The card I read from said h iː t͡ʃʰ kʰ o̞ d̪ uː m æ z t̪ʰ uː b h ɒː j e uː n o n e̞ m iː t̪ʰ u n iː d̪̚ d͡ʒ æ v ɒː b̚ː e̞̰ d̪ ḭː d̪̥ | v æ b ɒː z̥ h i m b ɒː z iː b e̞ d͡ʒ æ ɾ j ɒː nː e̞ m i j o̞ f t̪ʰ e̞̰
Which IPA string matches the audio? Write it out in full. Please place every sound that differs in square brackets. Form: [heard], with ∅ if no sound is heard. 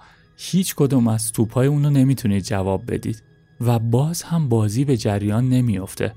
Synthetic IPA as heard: h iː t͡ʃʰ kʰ o̞ d̪ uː m æ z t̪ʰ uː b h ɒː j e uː n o n e̞ m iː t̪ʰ u n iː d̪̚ d͡ʒ æ v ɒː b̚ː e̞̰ d̪ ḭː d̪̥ | v æ b ɒː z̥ h [æ] m b ɒː z iː b e̞ d͡ʒ æ ɾ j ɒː nː e̞ m i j o̞ f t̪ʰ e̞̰